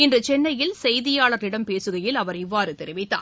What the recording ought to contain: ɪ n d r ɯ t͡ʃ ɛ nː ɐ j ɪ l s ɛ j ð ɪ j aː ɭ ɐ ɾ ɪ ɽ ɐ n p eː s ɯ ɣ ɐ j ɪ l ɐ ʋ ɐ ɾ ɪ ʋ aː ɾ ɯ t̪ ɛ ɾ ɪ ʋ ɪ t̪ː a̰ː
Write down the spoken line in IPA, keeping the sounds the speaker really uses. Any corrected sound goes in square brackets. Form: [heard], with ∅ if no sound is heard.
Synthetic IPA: ɪ n d r ɯ t͡ʃ ɛ nː ɐ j ɪ l s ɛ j ð ɪ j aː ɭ ɐ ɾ ɪ ɽ ɐ [m] p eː s ɯ ɣ ɐ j ɪ l ɐ ʋ ɐ ɾ ɪ [ʋː] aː ɾ ɯ t̪ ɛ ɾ ɪ ʋ ɪ t̪ː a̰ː

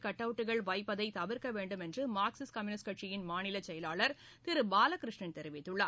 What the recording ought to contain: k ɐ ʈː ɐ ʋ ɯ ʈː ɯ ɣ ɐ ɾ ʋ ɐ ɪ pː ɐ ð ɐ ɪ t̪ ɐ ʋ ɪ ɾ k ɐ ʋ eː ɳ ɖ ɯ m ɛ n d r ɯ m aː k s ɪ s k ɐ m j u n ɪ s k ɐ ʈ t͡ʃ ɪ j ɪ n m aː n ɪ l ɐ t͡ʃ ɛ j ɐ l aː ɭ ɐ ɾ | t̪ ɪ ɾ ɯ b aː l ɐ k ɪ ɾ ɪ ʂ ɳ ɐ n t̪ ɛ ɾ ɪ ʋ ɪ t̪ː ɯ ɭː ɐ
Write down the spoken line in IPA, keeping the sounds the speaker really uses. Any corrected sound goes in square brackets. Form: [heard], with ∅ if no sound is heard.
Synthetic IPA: k ɐ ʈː ɐ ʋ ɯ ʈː ɯ ɣ ɐ [ɭ] ʋ ɐ ɪ pː ɐ ð ɐ ɪ t̪ ɐ ʋ ɪ ɾ k ɐ ʋ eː ɳ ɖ ɯ m ɛ n d r ɯ m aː k s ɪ s k ɐ m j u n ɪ s k ɐ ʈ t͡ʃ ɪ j ɪ n m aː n ɪ l ɐ t͡ʃ ɛ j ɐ l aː ɭ ɐ ɾ | t̪ ɪ ɾ ɯ b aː l ɐ k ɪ ɾ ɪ ʂ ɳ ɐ n t̪ ɛ ɾ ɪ ʋ ɪ t̪ː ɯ ɭː ɐ

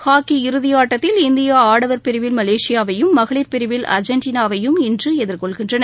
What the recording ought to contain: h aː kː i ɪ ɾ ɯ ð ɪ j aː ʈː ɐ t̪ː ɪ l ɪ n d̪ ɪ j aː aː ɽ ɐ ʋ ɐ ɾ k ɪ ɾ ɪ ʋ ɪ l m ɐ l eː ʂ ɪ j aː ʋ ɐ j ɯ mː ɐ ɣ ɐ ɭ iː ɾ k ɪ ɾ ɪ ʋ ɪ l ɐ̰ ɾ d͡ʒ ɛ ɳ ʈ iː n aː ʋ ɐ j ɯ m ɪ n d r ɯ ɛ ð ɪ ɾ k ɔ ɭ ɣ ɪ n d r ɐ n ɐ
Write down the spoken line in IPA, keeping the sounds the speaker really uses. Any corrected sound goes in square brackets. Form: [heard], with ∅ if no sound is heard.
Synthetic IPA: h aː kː i ɪ ɾ ɯ ð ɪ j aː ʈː ɐ t̪ː ɪ l ɪ n d̪ ɪ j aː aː ɽ ɐ ʋ ɐ ɾ [p] ɪ ɾ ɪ ʋ ɪ l m ɐ l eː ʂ ɪ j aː ʋ ɐ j ɯ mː ɐ ɣ ɐ ɭ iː ɾ [p] ɪ ɾ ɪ ʋ ɪ l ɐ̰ ɾ d͡ʒ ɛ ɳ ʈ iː n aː ʋ ɐ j ɯ m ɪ n d r ɯ ɛ ð ɪ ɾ k ɔ ɭ ɣ ɪ n d r ɐ n ɐ

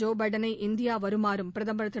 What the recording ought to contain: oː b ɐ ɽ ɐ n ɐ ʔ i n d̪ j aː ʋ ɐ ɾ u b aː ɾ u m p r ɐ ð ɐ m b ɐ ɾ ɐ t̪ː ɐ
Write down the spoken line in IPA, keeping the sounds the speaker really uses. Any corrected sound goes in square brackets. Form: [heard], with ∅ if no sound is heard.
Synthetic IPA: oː b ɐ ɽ ɐ n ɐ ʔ i n d̪ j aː ʋ ɐ ɾ u [m] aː ɾ u m p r ɐ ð ɐ m b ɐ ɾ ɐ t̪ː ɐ

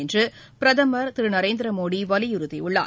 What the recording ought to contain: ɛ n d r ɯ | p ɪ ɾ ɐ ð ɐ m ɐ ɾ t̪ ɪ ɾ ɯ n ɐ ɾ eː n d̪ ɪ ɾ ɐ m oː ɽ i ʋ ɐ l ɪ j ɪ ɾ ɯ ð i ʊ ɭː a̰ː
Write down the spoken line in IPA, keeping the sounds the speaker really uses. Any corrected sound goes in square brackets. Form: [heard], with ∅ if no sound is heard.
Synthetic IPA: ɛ n d r ɯ | p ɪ ɾ ɐ ð ɐ m ɐ ɾ t̪ ɪ ɾ ɯ n ɐ ɾ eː n d̪ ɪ ɾ ɐ m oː ɽ i ʋ ɐ l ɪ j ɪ ɾ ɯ ð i ʊ ɭː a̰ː

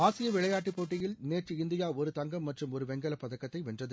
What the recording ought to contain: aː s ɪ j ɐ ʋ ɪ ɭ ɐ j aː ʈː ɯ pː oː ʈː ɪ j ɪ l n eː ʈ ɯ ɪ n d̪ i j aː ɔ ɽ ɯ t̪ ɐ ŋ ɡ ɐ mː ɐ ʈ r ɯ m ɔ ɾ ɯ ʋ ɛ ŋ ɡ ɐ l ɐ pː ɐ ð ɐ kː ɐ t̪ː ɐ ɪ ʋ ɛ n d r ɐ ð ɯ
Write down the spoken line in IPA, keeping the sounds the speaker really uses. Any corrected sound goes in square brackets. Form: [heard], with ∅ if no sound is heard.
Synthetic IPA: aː s ɪ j ɐ ʋ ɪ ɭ ɐ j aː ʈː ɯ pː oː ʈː ɪ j ɪ l n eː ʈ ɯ ɪ n d̪ [ɪ] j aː ɔ [ɾ] ɯ t̪ ɐ ŋ ɡ ɐ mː ɐ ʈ r ɯ m ɔ ɾ ɯ ʋ ɛ ŋ ɡ ɐ l ɐ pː ɐ ð ɐ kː ɐ t̪ː ɐ ɪ ʋ ɛ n d r ɐ ð ɯ

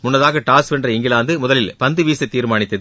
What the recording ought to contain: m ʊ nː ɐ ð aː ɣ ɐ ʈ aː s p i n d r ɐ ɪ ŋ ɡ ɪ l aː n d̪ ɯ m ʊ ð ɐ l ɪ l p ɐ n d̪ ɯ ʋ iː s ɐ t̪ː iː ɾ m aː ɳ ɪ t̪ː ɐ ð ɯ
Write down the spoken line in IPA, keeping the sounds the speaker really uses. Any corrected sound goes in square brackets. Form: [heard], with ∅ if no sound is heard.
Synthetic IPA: m ʊ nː ɐ ð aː ɣ ɐ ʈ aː s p [ɛ] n d r ɐ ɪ ŋ ɡ ɪ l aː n d̪ ɯ m ʊ ð ɐ l ɪ l p ɐ n d̪ ɯ ʋ iː s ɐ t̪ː iː ɾ m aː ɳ ɪ t̪ː ɐ ð ɯ

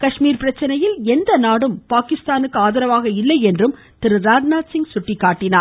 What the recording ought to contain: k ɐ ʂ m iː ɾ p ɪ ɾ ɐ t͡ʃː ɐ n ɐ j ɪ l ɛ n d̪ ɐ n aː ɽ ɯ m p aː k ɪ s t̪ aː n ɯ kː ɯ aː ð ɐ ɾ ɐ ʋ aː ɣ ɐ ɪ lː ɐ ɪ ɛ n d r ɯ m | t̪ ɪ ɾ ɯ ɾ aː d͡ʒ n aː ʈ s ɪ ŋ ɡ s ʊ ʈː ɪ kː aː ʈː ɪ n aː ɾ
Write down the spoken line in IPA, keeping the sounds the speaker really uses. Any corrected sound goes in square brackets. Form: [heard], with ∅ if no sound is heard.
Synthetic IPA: k ɐ ʂ m iː ɾ p ɪ ɾ ɐ t͡ʃː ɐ n ɐ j ɪ l ɛ n d̪ ɐ n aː ɽ ɯ m p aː k ɪ s t̪ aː n ɯ kː ɯ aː ð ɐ ɾ ɐ ʋ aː ɣ ɐ ɪ lː ɐ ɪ ɛ n d r ɯ m | t̪ ɪ ɾ ɯ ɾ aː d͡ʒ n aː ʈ s ɪ ŋ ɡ s ʊ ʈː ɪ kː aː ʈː ɪ n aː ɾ

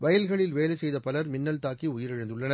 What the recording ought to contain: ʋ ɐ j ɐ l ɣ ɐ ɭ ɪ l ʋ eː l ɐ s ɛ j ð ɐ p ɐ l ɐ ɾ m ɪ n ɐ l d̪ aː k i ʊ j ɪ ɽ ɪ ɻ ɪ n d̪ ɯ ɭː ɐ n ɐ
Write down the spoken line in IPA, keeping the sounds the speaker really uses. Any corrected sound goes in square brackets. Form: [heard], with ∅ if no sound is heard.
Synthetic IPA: ʋ ɐ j ɐ l ɣ ɐ ɭ ɪ l ʋ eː l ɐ s ɛ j ð ɐ p ɐ l ɐ ɾ m ɪ [nː] ɐ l [t̪] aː k i ʊ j ɪ [ɾ] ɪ ɻ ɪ n d̪ ɯ ɭː ɐ n ɐ

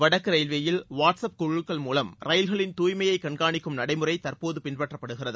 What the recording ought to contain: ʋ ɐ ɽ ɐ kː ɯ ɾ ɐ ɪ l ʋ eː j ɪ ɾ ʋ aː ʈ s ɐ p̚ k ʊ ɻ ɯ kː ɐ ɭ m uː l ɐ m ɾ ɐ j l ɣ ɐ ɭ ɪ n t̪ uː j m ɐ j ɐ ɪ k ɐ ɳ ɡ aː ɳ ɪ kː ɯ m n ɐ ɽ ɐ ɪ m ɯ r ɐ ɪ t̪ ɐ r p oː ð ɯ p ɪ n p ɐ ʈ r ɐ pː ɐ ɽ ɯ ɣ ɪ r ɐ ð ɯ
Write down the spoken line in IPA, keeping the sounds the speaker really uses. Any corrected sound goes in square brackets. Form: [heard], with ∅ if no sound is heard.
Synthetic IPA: ʋ ɐ ɽ ɐ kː ɯ ɾ ɐ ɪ l ʋ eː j ɪ [l] ʋ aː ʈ s ɐ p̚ k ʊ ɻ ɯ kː ɐ ɭ m uː l ɐ m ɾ ɐ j l ɣ ɐ ɭ ɪ n t̪ uː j m ɐ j ɐ ɪ k ɐ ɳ ɡ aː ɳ ɪ kː ɯ m n ɐ ɽ ɐ ɪ m ɯ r ɐ ɪ t̪ ɐ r p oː ð ɯ p ɪ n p ɐ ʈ r ɐ pː ɐ ɽ ɯ ɣ ɪ r ɐ ð ɯ

